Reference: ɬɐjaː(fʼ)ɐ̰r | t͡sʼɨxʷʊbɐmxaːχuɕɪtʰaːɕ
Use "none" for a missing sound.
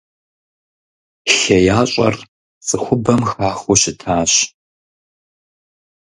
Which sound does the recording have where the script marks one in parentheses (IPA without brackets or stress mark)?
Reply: ɕʼ